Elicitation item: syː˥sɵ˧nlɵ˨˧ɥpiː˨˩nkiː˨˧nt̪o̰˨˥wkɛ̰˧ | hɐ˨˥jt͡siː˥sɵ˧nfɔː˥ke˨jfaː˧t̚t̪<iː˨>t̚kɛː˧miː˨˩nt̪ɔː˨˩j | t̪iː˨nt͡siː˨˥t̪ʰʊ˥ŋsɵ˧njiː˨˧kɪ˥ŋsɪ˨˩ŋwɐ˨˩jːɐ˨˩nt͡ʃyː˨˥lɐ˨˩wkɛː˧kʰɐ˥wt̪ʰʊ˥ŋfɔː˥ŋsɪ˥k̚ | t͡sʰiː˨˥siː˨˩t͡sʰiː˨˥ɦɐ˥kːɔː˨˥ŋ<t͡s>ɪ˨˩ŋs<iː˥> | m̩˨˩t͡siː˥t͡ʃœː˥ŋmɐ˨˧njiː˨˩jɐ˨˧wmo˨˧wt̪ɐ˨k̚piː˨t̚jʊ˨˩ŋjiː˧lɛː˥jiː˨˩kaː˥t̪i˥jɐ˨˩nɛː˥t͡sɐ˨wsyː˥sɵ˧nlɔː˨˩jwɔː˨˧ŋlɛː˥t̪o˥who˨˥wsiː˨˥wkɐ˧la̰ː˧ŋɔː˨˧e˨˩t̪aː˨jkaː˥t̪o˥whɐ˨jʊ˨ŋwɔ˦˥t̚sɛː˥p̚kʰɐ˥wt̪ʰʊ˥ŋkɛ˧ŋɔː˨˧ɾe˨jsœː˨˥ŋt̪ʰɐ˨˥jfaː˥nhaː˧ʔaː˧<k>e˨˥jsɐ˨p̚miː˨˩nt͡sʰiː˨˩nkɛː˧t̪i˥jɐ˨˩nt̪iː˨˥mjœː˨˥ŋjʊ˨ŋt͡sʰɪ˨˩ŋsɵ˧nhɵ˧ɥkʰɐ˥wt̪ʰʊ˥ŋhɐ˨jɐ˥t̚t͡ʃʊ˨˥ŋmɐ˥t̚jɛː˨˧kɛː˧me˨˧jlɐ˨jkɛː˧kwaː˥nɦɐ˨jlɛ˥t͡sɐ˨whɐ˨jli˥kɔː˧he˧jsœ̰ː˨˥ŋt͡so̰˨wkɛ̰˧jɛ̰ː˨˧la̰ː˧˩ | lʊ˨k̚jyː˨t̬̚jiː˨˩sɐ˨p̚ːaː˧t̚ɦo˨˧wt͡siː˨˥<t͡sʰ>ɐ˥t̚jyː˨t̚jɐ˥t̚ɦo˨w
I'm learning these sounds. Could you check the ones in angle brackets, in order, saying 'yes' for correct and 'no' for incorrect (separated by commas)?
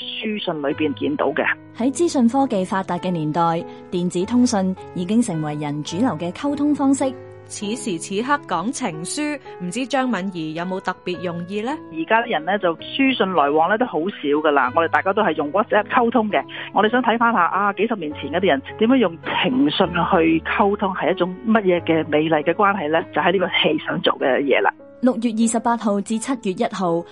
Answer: no, no, no, yes, yes